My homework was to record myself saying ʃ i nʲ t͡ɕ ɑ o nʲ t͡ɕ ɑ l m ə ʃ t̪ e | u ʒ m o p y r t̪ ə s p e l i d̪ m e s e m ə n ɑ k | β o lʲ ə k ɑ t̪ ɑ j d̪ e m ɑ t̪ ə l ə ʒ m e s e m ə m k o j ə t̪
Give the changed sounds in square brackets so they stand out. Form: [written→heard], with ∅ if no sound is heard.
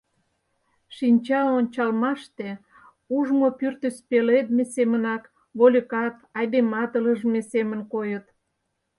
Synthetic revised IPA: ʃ i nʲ t͡ɕ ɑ o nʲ t͡ɕ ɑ l m [ə→ɑ] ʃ t̪ e | u ʒ m o p y r t̪ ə s p e l [i→e] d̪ m e s e m ə n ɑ k | β o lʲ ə k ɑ t̪ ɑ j d̪ e m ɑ t̪ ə l ə ʒ m e s e m ə [m→n] k o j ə t̪